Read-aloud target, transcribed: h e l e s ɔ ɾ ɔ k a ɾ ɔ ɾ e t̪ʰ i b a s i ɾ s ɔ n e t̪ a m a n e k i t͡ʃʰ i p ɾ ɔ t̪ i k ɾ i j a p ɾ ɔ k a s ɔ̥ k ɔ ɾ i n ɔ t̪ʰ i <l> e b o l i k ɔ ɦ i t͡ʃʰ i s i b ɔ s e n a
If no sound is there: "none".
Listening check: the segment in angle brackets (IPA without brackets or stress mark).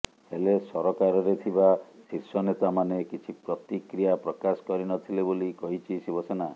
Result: l